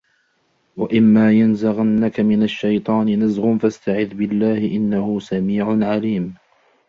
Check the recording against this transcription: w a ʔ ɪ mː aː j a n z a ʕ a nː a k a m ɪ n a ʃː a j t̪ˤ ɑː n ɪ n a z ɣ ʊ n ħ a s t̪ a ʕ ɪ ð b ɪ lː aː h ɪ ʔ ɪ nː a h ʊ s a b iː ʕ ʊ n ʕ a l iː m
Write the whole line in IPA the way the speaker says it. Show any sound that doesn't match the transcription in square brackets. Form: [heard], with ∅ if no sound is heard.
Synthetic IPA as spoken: w a ʔ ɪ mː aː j a n z a [ɣ] a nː a k a m ɪ n a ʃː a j t̪ˤ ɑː n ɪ n a z ɣ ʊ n [f] a s t̪ a ʕ ɪ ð b ɪ lː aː h ɪ ʔ ɪ nː a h ʊ s a [m] iː ʕ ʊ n ʕ a l iː m